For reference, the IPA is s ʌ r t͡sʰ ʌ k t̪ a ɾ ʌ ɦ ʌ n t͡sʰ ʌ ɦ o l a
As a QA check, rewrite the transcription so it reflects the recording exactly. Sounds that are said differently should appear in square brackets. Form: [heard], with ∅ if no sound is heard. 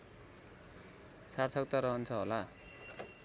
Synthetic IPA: s [a] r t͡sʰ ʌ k t̪ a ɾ ʌ ɦ ʌ n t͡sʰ ʌ ɦ o l a